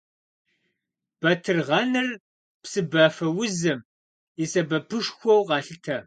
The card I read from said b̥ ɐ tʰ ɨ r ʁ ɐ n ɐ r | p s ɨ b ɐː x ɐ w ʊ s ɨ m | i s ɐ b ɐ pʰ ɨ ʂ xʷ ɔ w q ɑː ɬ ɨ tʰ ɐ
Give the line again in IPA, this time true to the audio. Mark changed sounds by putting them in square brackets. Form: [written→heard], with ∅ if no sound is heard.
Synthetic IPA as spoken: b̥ ɐ tʰ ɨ r ʁ ɐ n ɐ r | p s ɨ b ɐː [x→f] ɐ w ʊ [s→z] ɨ m | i s ɐ b ɐ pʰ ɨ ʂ xʷ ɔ w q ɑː ɬ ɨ tʰ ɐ